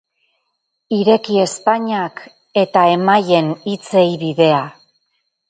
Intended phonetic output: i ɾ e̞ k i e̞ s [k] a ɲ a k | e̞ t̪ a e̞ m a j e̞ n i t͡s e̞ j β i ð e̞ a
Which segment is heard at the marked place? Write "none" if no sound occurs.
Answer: p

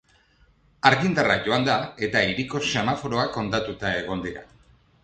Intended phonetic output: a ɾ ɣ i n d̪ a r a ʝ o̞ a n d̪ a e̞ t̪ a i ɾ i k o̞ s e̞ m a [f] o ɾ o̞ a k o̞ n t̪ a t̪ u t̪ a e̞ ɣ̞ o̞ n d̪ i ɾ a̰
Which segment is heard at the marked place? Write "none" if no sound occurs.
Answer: f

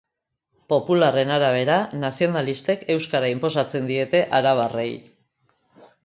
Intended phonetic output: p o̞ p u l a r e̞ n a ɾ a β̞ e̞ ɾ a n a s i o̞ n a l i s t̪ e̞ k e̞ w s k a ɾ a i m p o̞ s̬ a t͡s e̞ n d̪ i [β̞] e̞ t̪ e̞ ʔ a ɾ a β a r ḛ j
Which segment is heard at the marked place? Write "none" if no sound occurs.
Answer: none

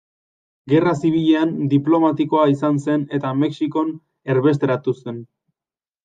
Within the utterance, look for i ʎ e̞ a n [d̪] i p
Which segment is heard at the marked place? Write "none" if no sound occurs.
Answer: d̪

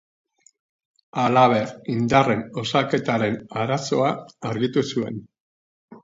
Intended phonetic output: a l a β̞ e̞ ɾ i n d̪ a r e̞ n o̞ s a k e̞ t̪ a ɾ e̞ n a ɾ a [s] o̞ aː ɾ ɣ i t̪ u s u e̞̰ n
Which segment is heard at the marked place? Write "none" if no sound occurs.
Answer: s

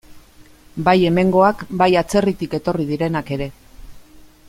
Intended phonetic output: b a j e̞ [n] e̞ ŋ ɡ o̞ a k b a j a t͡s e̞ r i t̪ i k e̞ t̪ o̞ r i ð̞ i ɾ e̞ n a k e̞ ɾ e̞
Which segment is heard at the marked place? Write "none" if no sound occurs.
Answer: m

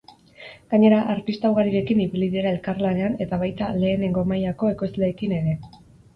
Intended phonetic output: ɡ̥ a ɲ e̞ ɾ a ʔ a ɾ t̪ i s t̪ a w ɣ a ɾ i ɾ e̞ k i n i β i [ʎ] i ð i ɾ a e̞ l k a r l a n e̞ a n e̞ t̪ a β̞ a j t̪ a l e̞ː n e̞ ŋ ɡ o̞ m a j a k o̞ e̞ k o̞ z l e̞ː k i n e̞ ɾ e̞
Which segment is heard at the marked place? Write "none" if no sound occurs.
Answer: l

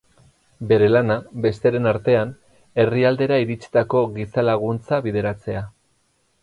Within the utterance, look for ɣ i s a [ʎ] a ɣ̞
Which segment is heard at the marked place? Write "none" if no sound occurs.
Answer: l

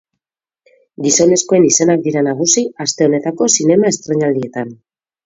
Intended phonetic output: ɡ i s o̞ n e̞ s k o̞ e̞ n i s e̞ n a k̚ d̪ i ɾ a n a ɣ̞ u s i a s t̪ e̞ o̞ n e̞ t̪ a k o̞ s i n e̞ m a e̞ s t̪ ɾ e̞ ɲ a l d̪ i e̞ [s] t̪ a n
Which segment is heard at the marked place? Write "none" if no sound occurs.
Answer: none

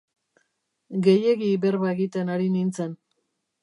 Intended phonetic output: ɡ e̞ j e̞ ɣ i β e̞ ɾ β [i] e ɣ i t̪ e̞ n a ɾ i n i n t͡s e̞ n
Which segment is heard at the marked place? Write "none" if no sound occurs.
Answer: a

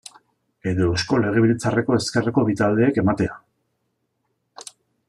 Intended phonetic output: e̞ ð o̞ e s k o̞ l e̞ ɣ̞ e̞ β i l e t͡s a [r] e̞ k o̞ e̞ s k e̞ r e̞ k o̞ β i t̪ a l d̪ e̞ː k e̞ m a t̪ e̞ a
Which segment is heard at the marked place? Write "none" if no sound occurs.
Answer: r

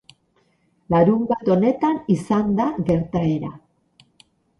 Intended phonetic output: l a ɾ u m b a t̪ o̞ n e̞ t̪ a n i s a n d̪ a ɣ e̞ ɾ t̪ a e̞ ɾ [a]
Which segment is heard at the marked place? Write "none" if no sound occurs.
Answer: a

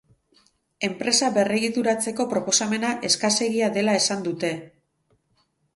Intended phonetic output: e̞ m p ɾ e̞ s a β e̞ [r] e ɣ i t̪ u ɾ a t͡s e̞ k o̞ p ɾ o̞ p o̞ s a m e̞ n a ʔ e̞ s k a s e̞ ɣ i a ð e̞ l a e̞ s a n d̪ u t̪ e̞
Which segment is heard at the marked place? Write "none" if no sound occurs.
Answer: r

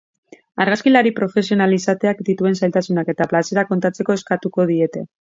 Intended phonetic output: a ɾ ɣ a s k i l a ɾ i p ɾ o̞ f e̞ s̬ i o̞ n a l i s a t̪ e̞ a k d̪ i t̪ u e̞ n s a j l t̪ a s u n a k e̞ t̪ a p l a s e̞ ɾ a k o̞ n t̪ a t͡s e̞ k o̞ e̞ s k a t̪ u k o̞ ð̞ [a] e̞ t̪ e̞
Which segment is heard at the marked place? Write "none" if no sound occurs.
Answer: i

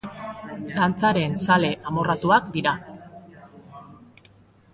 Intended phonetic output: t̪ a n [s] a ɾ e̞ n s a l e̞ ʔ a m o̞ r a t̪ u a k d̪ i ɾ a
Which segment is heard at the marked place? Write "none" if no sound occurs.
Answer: t͡s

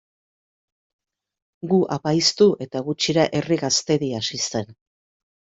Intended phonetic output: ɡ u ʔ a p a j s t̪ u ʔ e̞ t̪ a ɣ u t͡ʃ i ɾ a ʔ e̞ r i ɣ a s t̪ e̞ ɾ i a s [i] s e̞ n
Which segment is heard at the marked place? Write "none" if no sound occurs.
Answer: i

